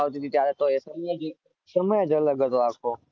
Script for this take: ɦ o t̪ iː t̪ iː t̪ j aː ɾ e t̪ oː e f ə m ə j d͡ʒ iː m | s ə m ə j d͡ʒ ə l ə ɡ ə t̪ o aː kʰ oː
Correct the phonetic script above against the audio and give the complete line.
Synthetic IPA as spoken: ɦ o t̪ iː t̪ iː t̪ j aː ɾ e t̪ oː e s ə m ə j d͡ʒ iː | s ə m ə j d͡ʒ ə l ə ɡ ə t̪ o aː kʰ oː